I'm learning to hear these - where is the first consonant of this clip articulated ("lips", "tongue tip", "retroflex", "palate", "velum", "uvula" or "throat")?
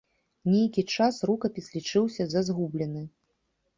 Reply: tongue tip